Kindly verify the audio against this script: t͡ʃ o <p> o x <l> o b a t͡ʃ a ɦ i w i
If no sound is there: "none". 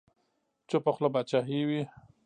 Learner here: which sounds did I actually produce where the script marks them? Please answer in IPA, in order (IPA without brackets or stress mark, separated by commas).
p, l